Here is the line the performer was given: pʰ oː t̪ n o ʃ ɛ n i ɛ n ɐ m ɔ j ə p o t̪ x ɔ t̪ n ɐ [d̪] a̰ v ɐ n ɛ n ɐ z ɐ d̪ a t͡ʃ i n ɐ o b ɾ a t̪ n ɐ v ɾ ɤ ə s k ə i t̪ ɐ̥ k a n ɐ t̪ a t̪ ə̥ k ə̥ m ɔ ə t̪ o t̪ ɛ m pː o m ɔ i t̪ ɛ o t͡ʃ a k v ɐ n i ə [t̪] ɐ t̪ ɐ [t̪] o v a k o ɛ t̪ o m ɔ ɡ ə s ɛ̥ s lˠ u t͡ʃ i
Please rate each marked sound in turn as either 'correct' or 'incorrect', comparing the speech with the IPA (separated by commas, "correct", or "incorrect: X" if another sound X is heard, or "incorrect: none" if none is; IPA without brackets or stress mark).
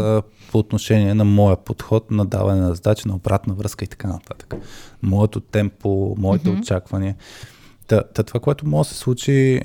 correct, correct, correct